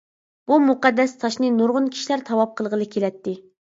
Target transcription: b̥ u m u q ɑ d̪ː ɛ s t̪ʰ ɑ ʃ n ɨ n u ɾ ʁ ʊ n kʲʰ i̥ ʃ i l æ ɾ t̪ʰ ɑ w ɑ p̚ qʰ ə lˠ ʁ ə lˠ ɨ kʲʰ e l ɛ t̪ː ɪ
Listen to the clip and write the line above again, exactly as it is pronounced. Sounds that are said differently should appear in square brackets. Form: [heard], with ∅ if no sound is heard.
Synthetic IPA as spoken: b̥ u m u q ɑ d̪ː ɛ s t̪ʰ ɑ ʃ n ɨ n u ɾ ʁ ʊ n kʲʰ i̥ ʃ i l æ ɾ t̪ʰ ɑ w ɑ p̚ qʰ ə lˠ ʁ ə lˠ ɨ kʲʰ e l ɛ t̪ː ɪ